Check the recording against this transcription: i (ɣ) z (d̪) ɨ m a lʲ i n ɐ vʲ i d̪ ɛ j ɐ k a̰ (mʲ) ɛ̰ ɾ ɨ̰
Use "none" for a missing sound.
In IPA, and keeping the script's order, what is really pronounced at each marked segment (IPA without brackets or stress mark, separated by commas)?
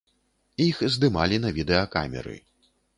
x, d̪, mʲ